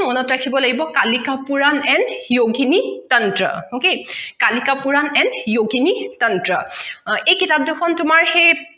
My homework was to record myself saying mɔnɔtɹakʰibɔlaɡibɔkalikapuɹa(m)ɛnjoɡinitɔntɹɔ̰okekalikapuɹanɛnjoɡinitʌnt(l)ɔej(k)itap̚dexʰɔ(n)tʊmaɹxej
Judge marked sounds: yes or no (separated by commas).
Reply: no, no, yes, yes